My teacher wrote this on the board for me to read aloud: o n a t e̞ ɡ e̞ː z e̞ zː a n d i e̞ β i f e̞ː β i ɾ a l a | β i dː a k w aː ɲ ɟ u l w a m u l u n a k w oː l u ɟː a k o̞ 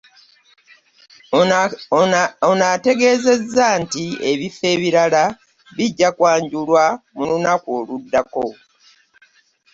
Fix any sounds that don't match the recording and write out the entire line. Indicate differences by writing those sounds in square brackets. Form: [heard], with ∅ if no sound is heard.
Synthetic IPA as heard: o n a t e̞ ɡ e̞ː z e̞ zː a n [t] i e̞ β i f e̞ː β i ɾ a l a | β i [ɟː] a k w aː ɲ ɟ u l w a m u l u n a k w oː l u [dː] a k o̞